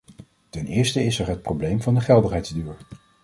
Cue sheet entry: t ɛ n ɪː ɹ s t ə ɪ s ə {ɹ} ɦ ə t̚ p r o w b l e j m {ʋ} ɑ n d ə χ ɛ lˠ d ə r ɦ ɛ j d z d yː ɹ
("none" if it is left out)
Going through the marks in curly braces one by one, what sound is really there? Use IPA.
ɹ, v

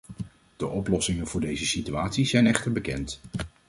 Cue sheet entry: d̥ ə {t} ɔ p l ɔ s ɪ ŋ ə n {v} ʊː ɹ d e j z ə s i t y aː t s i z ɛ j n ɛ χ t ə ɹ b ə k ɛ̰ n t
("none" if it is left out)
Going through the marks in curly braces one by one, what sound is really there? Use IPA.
ʔ, v

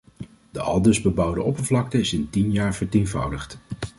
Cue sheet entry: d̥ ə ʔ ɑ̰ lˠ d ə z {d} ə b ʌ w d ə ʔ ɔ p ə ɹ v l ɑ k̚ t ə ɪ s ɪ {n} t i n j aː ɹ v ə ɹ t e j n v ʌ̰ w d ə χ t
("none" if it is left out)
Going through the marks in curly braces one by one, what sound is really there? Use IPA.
b, n

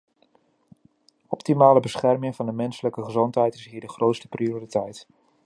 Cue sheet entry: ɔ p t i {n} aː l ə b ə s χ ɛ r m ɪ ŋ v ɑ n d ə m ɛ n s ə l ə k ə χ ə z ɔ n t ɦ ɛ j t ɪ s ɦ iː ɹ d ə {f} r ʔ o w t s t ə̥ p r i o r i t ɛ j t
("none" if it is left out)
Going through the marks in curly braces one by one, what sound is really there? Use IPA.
m, χ

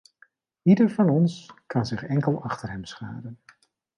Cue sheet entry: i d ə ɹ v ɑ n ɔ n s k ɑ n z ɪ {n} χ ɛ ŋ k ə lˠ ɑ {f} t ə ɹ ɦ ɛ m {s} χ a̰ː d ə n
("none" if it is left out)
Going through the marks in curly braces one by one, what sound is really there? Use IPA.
none, χ, s

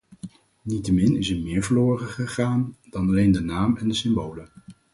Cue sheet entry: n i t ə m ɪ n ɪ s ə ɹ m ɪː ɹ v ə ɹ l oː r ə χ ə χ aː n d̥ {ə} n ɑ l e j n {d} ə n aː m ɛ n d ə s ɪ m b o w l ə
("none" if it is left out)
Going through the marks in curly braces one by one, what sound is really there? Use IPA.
ɑ, d

